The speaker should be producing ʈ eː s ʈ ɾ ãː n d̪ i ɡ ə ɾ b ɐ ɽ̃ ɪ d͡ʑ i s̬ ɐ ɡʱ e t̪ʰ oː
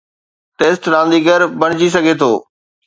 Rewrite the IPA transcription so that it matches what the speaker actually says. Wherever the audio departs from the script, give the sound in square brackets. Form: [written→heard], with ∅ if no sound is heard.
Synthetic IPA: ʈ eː s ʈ ɾ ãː n d̪ i ɡ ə ɾ b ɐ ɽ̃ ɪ d͡ʑ i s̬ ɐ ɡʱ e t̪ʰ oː